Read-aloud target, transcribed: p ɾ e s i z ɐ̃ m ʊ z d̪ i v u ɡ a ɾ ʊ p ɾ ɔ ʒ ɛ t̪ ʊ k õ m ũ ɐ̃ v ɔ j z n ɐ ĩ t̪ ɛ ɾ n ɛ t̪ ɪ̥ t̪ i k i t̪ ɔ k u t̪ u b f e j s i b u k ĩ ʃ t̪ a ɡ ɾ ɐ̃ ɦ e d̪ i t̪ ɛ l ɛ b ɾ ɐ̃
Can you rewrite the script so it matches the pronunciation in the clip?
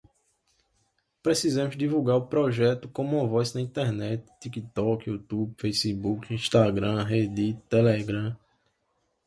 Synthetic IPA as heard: p ɾ e s i z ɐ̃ m ʊ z d̪ i v u ɡ a ɾ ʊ p ɾ ɔ ʒ ɛ t̪ ʊ k õ m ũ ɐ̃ v ɔ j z n ɐ ĩ t̪ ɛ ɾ n ɛ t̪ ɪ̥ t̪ i k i t̪ ɔ k u t̪ u b f e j s i b u k ĩ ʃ t̪ a ɡ ɾ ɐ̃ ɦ e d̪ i t̪ ɛ l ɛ ɡ ɾ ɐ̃